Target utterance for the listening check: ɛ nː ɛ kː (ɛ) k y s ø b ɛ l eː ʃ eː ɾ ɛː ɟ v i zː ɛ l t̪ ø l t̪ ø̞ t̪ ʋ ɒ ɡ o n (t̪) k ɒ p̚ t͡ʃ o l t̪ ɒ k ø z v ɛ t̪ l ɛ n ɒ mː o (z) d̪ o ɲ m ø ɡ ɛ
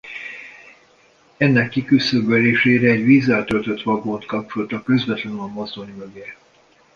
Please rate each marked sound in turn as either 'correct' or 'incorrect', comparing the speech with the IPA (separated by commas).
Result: incorrect, correct, correct